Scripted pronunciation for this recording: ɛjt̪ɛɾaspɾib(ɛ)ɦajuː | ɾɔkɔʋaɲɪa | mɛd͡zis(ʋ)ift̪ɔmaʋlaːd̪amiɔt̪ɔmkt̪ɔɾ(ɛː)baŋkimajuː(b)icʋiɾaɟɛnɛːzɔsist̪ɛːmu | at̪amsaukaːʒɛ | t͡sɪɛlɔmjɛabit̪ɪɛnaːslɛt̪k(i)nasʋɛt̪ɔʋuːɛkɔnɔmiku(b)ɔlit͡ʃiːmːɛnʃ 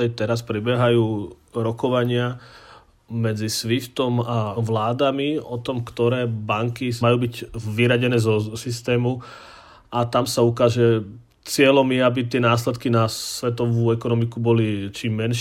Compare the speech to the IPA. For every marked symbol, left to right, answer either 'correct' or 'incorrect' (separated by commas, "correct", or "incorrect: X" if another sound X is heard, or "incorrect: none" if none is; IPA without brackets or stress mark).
correct, correct, correct, correct, correct, correct